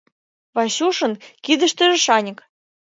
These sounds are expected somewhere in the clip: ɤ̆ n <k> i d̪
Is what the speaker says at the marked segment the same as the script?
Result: yes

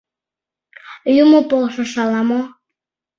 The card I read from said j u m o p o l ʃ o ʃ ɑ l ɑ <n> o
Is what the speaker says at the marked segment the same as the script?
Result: no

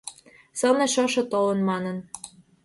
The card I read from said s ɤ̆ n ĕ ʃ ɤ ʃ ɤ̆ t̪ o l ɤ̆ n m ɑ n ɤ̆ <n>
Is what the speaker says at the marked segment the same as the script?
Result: yes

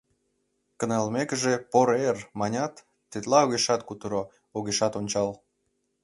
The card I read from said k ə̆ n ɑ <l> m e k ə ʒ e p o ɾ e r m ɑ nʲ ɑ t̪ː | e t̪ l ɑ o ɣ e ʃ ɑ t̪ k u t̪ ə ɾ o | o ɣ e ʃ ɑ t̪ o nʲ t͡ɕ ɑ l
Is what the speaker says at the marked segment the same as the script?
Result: yes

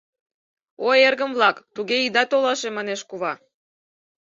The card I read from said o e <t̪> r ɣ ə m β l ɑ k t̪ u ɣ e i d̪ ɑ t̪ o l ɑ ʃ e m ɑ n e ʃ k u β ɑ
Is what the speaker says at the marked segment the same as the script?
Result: no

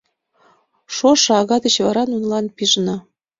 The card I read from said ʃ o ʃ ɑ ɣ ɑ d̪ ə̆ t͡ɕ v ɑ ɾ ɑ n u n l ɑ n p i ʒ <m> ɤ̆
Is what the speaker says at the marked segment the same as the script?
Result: no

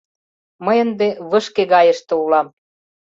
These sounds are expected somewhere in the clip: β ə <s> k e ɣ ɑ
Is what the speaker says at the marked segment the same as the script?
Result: no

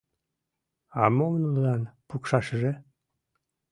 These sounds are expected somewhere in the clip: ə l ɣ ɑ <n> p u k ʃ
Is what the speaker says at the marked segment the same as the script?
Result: yes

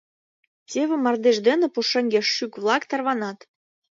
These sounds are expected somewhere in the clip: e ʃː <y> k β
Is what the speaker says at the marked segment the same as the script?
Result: yes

